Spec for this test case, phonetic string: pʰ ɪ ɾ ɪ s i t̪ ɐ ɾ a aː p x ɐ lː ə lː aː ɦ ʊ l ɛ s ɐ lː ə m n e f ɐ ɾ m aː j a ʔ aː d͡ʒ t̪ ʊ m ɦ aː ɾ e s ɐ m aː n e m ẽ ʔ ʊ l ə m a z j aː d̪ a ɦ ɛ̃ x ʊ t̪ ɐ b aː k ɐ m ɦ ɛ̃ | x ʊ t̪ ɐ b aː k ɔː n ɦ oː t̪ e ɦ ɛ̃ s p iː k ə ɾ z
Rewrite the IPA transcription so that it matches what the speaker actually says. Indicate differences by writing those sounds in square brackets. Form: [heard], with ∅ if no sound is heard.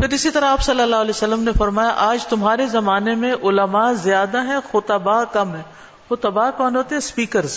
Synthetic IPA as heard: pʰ ɪ ɾ ɪ s i t̪ ɐ ɾ a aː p [s] ɐ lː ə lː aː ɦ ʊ l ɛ s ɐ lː ə m n e f ɐ ɾ m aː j a ʔ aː d͡ʒ t̪ ʊ m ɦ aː ɾ e [z] ɐ m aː n e m ẽ ʔ ʊ l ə m a z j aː d̪ a ɦ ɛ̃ x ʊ t̪ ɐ b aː k ɐ m ɦ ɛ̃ | x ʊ t̪ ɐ b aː k ɔː n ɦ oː t̪ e ɦ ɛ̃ s p iː k ə ɾ z